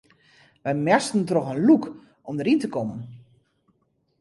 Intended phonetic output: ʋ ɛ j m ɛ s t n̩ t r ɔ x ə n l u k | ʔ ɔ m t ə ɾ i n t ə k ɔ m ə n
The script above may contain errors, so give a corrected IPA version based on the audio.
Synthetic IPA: ʋ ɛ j m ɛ s t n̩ t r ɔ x ə n l u k | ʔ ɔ m d ə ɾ i n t ə k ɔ m ə n